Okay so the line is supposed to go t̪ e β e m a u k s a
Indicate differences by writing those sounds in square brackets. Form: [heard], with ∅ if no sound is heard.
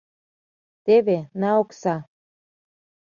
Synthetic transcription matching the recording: t̪ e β e [n] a [o] k s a

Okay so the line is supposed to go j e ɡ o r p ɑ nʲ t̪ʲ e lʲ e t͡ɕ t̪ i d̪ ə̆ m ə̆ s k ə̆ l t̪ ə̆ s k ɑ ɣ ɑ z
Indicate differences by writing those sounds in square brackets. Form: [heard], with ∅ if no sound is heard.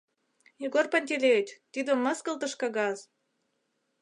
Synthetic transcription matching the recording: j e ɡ o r p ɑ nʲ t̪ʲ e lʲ e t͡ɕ t̪ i d̪ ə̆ m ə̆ s k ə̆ l t̪ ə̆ [ʃ] k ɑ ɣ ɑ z

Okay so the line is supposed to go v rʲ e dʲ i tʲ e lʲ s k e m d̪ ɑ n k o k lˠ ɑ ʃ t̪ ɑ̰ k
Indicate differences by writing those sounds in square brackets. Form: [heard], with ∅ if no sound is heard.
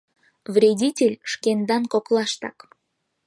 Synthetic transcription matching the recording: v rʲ e dʲ i tʲ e lʲ [ʃ] k e [n] d̪ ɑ n k o k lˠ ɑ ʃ t̪ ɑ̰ k

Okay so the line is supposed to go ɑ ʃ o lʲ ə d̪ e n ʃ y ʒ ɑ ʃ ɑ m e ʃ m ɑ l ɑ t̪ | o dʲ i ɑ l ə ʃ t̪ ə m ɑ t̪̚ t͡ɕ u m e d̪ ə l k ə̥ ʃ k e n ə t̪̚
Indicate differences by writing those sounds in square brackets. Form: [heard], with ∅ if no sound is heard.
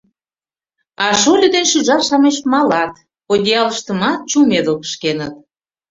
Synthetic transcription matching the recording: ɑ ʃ o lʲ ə d̪ e n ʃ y ʒ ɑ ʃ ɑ m e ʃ m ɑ l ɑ t̪ | o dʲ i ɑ l ə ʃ t̪ ə m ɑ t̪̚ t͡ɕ u m e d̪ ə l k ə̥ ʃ k e n ə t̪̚

